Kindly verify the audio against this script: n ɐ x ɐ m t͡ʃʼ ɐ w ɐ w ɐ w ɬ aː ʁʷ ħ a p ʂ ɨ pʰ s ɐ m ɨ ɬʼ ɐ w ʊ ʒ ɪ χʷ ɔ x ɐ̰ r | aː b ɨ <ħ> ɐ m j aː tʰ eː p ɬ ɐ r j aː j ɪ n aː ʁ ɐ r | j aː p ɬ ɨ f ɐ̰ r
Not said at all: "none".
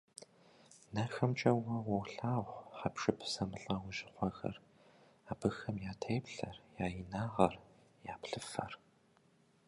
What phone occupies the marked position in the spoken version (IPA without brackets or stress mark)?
x